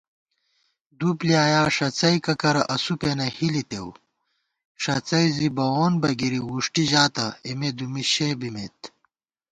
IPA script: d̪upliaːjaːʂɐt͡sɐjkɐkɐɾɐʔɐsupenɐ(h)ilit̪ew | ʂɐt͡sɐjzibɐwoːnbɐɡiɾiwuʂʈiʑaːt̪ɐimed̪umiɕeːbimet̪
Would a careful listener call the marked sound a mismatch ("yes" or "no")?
no